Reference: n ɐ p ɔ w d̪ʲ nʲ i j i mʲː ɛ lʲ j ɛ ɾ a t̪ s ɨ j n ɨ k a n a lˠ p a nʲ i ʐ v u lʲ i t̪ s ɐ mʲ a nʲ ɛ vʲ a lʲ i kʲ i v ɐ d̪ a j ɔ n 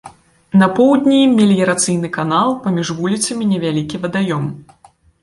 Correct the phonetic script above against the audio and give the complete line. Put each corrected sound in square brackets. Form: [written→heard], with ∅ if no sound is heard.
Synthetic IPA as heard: n ɐ p ɔ w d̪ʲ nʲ i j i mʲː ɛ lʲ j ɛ ɾ a t̪ s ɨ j n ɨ k a n a lˠ p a [nʲ→mʲ] i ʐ v u lʲ i t̪ s ɐ mʲ [a→i] nʲ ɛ vʲ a lʲ i kʲ i v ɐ d̪ a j ɔ [n→m]